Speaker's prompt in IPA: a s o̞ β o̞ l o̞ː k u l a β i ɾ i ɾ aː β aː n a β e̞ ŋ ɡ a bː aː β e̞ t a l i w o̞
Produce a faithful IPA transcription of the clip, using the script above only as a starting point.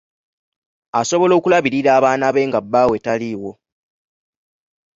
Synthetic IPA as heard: a s o̞ β o̞ l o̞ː k u l a β i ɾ i ɾ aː β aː n a β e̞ ŋ ɡ a bː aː w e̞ t a l i w o̞